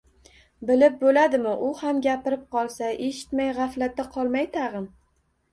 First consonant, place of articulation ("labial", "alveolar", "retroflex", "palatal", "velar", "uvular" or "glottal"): labial